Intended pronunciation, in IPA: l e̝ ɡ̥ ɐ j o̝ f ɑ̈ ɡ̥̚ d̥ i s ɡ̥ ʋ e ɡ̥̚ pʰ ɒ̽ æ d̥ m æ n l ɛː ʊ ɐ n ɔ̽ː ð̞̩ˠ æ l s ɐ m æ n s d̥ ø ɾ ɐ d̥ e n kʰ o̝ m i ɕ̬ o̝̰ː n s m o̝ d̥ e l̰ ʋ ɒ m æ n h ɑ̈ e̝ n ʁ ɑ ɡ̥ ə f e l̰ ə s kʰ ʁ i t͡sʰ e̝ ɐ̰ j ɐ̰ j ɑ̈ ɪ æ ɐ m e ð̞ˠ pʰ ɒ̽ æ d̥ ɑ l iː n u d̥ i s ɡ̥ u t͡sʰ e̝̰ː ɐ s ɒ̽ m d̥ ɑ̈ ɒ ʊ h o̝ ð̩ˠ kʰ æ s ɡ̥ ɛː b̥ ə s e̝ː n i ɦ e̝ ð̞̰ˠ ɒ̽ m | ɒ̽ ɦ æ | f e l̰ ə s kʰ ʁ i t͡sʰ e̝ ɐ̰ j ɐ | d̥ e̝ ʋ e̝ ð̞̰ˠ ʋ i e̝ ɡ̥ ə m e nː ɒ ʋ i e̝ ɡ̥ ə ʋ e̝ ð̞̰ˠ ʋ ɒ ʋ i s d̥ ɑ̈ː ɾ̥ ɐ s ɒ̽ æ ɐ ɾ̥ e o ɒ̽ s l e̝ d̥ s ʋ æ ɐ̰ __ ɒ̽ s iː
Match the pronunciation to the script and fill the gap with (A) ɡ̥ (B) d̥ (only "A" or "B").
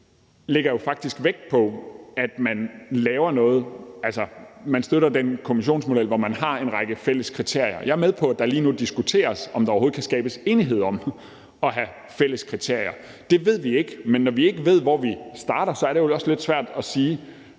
B